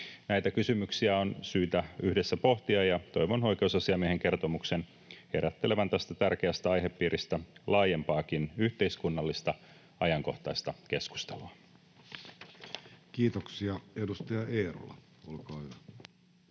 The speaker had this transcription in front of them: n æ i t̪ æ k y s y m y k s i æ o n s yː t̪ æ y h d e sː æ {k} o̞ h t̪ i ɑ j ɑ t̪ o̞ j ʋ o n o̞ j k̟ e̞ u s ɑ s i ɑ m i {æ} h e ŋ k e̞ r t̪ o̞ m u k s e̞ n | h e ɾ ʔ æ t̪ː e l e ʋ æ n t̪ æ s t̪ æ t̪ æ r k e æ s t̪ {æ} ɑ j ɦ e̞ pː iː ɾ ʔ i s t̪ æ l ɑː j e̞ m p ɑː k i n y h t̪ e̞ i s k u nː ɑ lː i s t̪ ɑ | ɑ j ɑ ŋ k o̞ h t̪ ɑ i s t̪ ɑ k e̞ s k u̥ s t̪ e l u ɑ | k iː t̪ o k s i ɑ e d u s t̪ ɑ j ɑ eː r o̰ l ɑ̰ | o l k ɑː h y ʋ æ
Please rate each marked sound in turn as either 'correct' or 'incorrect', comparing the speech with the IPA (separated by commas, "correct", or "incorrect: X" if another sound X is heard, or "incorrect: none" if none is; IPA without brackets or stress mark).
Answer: incorrect: p, incorrect: e, correct